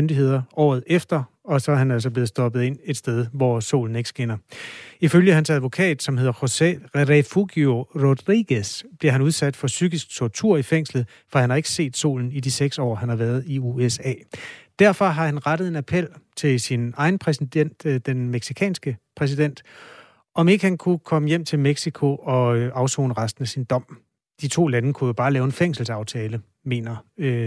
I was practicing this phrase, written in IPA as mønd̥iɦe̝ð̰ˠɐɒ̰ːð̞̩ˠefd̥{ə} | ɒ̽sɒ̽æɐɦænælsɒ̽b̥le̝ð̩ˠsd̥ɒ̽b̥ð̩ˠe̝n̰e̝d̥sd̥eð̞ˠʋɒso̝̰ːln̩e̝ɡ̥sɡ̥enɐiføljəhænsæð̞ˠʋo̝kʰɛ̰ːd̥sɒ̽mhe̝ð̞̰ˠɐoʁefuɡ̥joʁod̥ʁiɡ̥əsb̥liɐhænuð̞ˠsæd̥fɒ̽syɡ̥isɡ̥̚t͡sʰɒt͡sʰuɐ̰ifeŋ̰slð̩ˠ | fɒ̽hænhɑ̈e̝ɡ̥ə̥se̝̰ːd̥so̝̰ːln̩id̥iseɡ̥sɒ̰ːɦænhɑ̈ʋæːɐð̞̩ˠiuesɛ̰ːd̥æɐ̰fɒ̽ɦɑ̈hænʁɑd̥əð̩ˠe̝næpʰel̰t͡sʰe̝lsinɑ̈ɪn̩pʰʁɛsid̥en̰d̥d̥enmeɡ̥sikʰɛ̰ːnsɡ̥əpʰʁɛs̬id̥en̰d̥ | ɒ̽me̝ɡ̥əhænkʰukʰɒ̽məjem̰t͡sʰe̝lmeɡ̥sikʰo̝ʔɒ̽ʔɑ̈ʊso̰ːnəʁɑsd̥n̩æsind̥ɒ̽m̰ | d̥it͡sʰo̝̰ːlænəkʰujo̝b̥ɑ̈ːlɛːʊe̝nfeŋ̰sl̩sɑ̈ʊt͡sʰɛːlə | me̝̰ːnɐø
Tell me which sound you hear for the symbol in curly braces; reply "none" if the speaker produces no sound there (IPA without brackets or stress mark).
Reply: ɐ